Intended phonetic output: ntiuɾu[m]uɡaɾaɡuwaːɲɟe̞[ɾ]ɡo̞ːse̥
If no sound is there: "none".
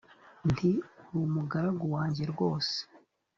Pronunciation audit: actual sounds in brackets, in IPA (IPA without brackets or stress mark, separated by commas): m, ɾ